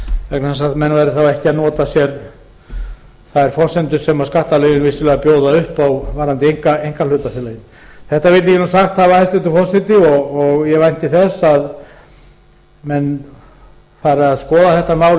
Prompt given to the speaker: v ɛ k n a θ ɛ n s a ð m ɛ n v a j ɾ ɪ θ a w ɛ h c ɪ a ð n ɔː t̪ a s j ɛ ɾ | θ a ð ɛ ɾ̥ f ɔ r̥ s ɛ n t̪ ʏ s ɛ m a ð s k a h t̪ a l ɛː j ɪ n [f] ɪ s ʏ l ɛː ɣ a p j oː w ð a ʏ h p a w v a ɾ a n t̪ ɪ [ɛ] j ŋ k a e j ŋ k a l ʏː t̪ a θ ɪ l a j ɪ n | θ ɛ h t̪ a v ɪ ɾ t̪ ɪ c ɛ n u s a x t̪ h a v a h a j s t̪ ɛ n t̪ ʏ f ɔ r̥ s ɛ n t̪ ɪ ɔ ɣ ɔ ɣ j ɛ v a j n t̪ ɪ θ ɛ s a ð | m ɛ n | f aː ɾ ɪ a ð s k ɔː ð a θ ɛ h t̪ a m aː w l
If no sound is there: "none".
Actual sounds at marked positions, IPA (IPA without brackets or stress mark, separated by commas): v, e